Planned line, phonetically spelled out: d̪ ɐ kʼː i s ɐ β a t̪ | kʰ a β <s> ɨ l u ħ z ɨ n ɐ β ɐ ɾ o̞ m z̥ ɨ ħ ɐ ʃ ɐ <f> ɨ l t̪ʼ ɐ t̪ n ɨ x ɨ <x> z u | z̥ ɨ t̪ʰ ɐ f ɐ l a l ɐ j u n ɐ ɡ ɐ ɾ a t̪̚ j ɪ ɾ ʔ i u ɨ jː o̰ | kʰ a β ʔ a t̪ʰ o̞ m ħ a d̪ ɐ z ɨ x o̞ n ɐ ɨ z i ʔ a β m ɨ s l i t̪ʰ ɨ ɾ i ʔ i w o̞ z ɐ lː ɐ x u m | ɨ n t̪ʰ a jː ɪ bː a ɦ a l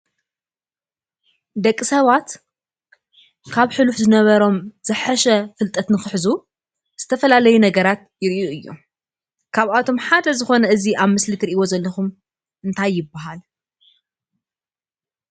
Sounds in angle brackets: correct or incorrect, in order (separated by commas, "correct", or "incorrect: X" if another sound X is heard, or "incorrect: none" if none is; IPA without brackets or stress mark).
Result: incorrect: ħ, correct, incorrect: ħ